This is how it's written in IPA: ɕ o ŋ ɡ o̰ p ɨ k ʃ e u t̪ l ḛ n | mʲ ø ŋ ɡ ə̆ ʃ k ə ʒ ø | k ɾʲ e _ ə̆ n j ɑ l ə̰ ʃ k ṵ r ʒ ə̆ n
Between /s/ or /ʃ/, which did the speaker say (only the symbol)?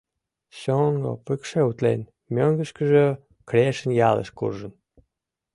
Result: ʃ